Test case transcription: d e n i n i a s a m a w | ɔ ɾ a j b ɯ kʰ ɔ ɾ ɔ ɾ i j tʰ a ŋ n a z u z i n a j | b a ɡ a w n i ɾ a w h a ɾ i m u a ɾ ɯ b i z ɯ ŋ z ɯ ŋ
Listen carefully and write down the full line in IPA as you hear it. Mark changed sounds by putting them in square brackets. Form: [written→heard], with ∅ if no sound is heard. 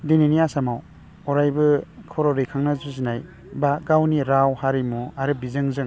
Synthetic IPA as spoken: d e n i n i a s a m a w | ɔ ɾ a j b ɯ kʰ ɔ ɾ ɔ ɾ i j [tʰ→kʰ] a ŋ n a z u z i n a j | b a ɡ a w n i ɾ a w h a ɾ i m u a ɾ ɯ b i z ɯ ŋ z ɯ ŋ